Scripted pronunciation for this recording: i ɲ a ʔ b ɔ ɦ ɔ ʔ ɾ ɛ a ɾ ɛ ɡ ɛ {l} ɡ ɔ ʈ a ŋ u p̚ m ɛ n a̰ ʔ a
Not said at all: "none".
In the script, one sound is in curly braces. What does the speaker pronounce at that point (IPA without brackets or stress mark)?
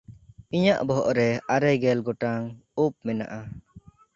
l